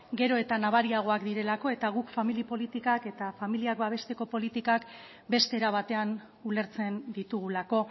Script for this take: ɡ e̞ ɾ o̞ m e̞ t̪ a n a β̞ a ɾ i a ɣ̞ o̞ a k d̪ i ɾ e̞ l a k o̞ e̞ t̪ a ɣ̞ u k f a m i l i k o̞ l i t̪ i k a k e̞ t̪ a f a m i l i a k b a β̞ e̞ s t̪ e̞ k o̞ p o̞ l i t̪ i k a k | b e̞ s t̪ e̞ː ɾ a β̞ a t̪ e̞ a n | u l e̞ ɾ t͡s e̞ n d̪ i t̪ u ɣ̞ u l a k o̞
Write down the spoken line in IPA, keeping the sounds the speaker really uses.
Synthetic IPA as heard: ɡ e̞ ɾ o̞ e̞ t̪ a n a β̞ a ɾ i a ɣ̞ o̞ a k d̪ i ɾ e̞ l a k o̞ e̞ t̪ a ɣ̞ u k f a m i l i p o̞ l i t̪ i k a k e̞ t̪ a f a m i l i a k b a β̞ e̞ s t̪ e̞ k o̞ p o̞ l i t̪ i k a k | b e̞ s t̪ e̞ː ɾ a β̞ a t̪ e̞ a n | u l e̞ ɾ t͡s e̞ n d̪ i t̪ u ɣ̞ u l a k o̞